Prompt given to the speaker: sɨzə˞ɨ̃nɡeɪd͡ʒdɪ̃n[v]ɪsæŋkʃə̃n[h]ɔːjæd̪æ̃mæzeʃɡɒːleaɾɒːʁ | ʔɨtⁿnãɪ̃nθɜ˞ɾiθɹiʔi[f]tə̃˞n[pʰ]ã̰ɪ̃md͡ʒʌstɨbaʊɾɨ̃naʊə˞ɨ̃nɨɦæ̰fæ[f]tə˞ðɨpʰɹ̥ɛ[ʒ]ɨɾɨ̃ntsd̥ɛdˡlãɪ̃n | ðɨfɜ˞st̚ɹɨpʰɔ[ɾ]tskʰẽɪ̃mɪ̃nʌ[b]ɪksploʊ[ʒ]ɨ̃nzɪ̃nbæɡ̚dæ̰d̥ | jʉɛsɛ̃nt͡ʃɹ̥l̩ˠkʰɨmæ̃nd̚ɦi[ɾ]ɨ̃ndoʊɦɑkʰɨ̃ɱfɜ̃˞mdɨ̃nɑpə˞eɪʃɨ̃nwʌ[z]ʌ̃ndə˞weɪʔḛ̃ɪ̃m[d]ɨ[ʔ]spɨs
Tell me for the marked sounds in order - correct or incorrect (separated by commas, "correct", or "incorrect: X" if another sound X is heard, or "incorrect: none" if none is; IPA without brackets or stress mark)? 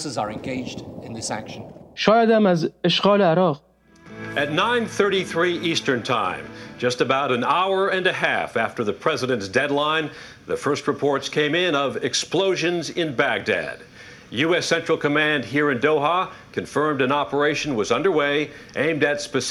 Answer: incorrect: ð, incorrect: ʃ, incorrect: s, incorrect: tʰ, correct, incorrect: z, incorrect: ɹ, incorrect: v, correct, incorrect: ɹ, correct, correct, incorrect: t